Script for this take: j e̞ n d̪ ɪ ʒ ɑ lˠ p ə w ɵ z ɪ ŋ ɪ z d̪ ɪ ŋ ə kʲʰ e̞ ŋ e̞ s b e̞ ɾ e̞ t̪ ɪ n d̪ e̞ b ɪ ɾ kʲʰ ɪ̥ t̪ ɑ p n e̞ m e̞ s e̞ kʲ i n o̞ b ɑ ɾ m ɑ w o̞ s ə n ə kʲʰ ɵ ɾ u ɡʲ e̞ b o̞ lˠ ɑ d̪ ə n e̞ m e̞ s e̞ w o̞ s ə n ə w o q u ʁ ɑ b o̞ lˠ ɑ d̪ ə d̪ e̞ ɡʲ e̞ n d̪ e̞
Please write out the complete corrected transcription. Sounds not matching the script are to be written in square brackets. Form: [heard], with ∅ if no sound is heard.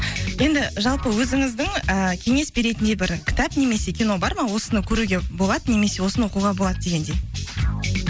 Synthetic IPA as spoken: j e̞ n d̪ ɪ ʒ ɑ lˠ p ə w ɵ z ɪ ŋ ɪ z d̪ ɪ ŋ ə kʲʰ e̞ ŋ e̞ s b e̞ ɾ e̞ t̪ ɪ n d̪ e̞ b ɪ ɾ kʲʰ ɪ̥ t̪ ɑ p n e̞ m e̞ s e̞ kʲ i n o̞ b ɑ ɾ m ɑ w o̞ s ə n ə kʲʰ ɵ ɾ u ɡʲ e̞ b o̞ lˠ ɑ d̪ ə n e̞ m e̞ s e̞ w o̞ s ə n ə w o q u ʁ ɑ b o̞ lˠ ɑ d̪ ə d̪ e̞ ɡʲ e̞ n d̪ e̞

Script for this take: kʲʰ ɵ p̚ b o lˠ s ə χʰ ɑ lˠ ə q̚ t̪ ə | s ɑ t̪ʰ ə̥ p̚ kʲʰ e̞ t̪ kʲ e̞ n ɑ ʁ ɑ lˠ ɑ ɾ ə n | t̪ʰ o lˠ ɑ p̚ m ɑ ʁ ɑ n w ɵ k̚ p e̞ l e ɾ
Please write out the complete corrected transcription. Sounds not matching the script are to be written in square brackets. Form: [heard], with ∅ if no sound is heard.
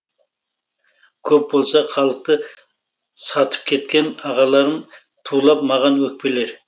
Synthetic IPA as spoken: kʲʰ ɵ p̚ b o lˠ s [ɑ] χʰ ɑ lˠ ə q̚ t̪ ə | s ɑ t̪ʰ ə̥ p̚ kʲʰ e̞ t̪ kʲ e̞ n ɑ ʁ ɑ lˠ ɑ ɾ ə n | t̪ʰ [u] lˠ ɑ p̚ m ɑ ʁ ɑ n w ɵ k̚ p e̞ l e ɾ

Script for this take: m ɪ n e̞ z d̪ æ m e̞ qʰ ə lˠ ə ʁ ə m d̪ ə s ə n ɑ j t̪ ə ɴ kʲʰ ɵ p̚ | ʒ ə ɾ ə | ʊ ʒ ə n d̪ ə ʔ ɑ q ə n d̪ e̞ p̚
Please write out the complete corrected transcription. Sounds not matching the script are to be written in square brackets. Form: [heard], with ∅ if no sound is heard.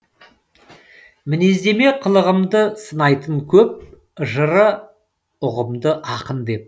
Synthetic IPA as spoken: m ɪ n e̞ z d̪ [e] m e̞ qʰ ə lˠ ə ʁ ə m d̪ ə s ə n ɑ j t̪ ə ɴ kʲʰ ɵ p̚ | ʒ ə ɾ ə | ʊ [ʁ] ə [m] d̪ ə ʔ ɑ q ə n d̪ e̞ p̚

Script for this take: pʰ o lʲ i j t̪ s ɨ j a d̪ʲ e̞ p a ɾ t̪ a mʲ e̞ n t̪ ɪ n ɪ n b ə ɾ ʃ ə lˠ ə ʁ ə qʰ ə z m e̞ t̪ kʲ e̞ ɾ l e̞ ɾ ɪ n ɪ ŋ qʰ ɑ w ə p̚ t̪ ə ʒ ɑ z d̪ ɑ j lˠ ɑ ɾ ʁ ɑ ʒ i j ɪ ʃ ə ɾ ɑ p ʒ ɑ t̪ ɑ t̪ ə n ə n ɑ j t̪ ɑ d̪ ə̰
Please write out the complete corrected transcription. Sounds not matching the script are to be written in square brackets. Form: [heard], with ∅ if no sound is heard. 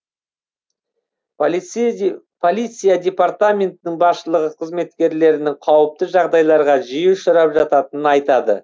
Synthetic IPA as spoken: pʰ o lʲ i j t̪ s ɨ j a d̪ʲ e̞ p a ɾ t̪ a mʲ e̞ n t̪ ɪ n ɪ [ŋ] b [ɑ] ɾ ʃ ə lˠ ə ʁ ə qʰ ə z m e̞ t̪ kʲ e̞ ɾ l e̞ ɾ ɪ n ɪ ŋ qʰ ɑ w ə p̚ t̪ ə ʒ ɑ [ʁ] d̪ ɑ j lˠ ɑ ɾ ʁ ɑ ʒ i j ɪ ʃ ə ɾ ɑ p ʒ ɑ t̪ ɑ t̪ ə n ə n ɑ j t̪ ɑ d̪ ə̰

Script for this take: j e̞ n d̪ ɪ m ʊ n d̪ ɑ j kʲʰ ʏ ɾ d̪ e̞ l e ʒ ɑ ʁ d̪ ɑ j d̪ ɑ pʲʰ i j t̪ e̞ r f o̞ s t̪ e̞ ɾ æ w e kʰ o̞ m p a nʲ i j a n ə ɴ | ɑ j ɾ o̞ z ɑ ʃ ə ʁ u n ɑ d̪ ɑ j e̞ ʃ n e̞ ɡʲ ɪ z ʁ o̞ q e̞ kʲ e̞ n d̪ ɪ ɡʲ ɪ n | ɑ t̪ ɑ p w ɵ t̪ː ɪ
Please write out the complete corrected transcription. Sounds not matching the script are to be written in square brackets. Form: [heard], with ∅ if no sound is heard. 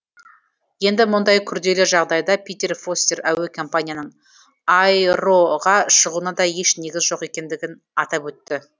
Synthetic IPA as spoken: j e̞ n d̪ ɪ m ʊ n d̪ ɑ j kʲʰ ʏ ɾ d̪ e̞ l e ʒ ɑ ʁ d̪ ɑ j d̪ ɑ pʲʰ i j t̪ e̞ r f o̞ s t̪ e̞ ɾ æ w e kʰ o̞ m p a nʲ i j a n ə ɴ | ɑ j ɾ o̞ [ʁ] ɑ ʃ ə ʁ u n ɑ d̪ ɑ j e̞ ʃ n e̞ ɡʲ ɪ z [ʒ] o̞ q e̞ kʲ e̞ n d̪ ɪ ɡʲ ɪ n | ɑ t̪ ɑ p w ɵ t̪ː ɪ

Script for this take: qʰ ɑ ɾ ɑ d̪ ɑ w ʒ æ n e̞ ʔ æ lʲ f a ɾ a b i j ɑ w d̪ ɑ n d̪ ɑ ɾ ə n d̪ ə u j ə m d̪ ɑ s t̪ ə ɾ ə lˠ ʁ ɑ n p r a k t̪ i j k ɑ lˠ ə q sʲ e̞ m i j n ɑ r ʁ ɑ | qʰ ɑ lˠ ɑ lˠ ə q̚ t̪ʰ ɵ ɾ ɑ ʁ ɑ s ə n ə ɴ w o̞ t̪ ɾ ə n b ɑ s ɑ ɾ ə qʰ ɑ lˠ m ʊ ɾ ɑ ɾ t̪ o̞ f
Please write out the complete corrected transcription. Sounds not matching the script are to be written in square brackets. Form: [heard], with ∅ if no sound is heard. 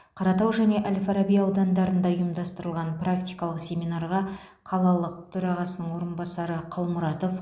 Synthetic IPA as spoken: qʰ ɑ ɾ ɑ [t̪] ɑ w ʒ æ n e̞ ʔ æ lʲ f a ɾ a b i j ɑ w d̪ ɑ n d̪ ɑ ɾ ə n d̪ [ɑ] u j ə m d̪ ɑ s t̪ ə ɾ ə lˠ ʁ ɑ n p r a k t̪ i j k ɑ lˠ ə q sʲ e̞ m i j n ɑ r ʁ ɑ | qʰ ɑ lˠ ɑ lˠ ə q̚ t̪ʰ ɵ ɾ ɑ ʁ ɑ s ə n ə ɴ w o̞ [∅] ɾ ə n b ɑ s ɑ ɾ ə qʰ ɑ lˠ m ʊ ɾ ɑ [∅] t̪ o̞ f

